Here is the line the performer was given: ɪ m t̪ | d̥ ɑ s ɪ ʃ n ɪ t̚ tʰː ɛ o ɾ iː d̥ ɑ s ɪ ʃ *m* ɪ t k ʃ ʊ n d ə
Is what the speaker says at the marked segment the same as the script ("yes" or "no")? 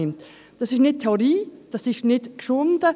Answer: no